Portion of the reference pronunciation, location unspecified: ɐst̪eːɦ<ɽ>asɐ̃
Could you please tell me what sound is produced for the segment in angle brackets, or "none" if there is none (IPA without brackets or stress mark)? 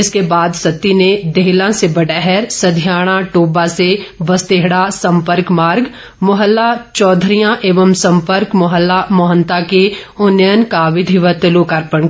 ɽ